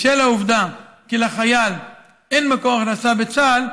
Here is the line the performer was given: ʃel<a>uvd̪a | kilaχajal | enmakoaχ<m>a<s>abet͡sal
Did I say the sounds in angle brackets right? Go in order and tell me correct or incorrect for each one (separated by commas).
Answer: correct, incorrect, correct